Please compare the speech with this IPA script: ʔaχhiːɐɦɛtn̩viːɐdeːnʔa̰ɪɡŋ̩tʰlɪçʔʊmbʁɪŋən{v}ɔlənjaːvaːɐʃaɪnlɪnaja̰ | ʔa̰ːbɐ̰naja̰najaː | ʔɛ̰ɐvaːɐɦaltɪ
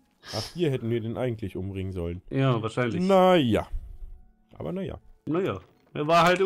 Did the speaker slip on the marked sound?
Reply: yes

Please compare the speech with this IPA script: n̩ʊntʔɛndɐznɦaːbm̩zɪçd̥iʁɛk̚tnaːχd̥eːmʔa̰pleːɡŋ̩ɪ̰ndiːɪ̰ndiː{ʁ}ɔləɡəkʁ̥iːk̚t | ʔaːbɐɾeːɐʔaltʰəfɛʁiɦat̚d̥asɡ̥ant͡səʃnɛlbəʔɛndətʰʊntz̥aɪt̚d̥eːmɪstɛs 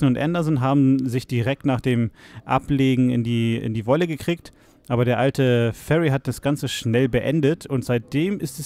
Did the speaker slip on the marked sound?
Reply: yes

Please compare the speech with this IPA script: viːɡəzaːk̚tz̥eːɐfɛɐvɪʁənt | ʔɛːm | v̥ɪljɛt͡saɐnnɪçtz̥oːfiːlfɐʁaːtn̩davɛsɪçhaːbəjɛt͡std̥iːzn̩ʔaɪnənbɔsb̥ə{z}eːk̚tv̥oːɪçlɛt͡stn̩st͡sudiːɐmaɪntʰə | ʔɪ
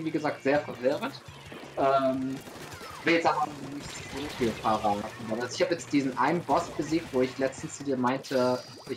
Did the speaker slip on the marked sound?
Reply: no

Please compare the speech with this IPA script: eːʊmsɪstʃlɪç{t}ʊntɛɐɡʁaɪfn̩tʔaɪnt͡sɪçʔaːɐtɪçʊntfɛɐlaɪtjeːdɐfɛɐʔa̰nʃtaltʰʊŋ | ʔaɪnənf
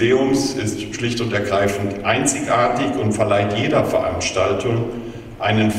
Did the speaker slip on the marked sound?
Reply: no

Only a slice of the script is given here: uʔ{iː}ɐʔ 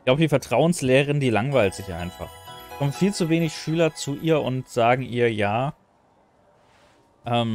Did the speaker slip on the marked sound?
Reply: no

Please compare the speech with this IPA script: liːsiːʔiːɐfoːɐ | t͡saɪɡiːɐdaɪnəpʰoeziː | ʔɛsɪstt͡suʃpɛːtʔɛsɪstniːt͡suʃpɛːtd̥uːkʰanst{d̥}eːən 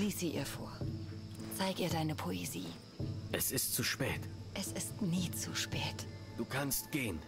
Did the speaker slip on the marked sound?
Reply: yes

